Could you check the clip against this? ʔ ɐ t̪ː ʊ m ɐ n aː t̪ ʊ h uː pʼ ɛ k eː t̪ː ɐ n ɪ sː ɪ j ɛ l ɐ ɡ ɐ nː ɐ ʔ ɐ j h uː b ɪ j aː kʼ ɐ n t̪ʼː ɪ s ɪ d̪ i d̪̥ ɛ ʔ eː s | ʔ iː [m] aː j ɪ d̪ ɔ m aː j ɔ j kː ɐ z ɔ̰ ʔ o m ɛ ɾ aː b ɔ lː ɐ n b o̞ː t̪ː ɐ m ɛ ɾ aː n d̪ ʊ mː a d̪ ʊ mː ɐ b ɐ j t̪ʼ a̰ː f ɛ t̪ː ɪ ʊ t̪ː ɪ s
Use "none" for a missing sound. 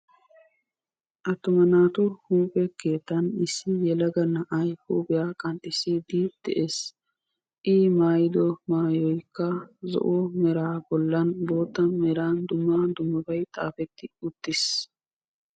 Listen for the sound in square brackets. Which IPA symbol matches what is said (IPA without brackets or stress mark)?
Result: m